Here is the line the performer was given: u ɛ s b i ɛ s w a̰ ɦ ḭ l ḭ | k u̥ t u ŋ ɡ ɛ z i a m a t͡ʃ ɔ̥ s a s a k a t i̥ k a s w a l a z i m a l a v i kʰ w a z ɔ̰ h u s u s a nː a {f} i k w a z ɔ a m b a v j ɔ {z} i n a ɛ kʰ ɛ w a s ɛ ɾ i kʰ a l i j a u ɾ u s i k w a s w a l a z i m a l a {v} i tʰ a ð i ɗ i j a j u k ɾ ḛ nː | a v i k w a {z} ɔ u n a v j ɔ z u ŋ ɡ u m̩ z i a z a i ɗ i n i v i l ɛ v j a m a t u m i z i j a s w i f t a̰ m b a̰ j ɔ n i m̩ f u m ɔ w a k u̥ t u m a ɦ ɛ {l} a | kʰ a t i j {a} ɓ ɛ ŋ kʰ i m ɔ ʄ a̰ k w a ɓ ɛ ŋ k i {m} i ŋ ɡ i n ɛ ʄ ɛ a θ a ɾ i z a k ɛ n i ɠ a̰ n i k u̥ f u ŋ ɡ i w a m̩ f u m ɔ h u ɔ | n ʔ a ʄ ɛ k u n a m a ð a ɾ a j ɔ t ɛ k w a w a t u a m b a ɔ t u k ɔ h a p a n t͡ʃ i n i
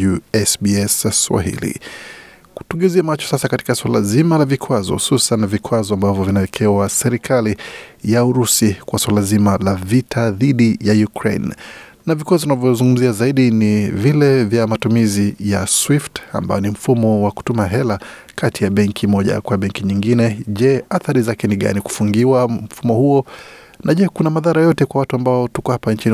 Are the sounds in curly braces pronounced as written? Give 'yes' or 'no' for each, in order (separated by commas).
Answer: no, no, yes, yes, yes, yes, no